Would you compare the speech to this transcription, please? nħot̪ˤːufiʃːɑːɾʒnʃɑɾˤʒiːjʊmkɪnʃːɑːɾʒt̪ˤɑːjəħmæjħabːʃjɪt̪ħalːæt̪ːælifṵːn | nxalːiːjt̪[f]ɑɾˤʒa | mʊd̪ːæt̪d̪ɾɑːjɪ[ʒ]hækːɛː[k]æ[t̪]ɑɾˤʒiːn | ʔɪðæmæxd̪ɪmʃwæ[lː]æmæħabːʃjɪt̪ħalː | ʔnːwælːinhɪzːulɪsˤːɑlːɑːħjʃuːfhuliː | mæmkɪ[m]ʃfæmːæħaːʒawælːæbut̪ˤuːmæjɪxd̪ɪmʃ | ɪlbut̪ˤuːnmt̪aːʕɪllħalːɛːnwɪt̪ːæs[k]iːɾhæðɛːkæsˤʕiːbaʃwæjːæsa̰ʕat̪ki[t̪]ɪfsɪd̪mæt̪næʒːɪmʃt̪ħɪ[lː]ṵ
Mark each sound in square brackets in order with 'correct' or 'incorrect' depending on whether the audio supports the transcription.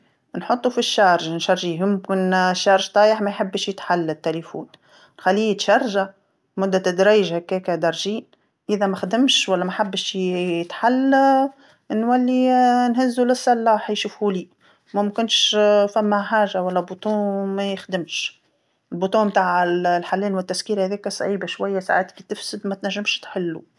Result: incorrect: ʃ, correct, correct, incorrect: d̪, correct, incorrect: n, correct, correct, correct

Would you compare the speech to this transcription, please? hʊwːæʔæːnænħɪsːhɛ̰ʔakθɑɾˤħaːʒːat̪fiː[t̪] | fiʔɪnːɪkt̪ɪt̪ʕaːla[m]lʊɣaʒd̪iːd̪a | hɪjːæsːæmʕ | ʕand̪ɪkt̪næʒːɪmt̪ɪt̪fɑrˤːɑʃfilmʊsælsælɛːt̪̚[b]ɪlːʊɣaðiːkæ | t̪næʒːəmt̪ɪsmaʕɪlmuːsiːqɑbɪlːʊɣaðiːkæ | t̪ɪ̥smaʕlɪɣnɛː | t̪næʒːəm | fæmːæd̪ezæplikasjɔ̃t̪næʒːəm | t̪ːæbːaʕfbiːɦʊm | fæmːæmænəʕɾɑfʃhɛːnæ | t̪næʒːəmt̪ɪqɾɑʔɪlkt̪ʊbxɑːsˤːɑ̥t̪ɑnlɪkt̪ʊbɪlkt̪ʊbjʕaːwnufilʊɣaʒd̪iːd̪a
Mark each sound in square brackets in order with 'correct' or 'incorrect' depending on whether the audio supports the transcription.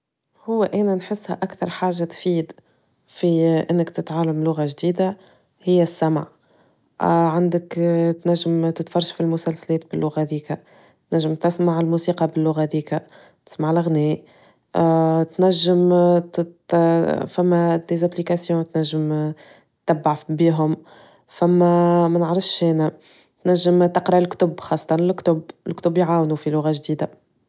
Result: incorrect: d̪, correct, correct

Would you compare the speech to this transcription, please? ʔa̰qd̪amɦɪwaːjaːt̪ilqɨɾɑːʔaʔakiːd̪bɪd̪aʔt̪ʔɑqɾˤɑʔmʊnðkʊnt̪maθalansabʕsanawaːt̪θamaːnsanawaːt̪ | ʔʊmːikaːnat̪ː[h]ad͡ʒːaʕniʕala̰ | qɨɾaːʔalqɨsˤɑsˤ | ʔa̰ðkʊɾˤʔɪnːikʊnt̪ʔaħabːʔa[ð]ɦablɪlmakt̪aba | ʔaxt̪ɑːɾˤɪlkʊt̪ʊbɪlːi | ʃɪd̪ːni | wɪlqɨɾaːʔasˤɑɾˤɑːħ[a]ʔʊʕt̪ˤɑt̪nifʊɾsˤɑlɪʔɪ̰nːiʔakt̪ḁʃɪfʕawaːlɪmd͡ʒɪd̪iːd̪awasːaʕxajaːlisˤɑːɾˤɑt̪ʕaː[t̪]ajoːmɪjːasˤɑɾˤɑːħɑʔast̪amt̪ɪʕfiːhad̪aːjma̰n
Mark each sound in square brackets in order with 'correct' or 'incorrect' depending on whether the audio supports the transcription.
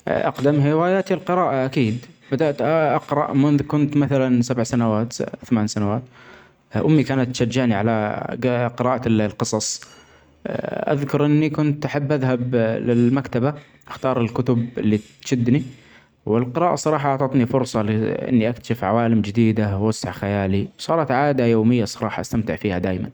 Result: incorrect: ʃ, correct, incorrect: ɑ, incorrect: d̪

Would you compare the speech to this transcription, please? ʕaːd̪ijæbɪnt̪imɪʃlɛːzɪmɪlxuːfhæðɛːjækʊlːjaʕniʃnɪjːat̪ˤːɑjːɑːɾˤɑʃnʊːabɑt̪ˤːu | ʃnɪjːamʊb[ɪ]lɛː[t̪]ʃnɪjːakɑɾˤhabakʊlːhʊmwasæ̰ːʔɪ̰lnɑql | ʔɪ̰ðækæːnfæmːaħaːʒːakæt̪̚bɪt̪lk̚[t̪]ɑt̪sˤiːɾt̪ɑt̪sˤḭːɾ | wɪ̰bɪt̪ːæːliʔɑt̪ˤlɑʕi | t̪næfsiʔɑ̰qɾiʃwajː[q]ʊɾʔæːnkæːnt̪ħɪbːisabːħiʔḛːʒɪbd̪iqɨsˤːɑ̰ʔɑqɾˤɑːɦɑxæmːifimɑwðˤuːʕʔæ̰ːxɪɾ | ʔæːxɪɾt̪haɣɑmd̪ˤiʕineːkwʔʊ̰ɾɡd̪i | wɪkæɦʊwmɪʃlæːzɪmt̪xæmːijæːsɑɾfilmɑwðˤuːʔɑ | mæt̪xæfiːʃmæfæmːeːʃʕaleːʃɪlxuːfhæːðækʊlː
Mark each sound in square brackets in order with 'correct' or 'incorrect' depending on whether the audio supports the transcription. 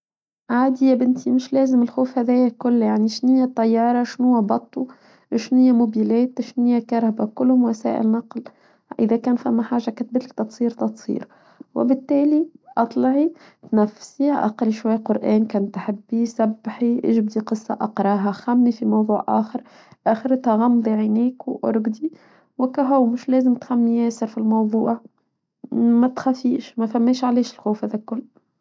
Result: incorrect: i, correct, correct, correct

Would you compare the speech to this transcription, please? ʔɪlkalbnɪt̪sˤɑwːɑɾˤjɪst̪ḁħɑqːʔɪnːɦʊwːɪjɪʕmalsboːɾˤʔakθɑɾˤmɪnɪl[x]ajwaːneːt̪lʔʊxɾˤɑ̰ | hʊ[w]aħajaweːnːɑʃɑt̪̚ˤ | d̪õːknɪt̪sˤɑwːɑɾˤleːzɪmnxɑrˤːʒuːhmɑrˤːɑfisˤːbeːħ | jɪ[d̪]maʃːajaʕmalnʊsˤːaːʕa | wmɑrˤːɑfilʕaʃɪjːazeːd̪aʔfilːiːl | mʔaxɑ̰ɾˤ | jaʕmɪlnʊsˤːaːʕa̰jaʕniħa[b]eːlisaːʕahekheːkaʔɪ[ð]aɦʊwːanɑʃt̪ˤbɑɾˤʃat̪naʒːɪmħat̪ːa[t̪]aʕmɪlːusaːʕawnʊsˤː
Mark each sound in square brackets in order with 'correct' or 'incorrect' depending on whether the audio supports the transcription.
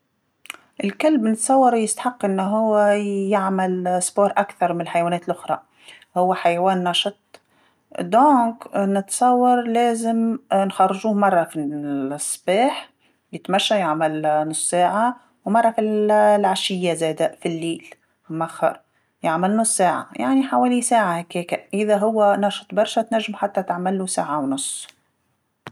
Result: incorrect: ħ, incorrect: wː, incorrect: t̪, incorrect: w, correct, correct

